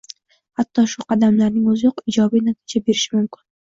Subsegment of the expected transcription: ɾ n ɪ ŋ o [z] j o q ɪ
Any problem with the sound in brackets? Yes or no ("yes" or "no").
no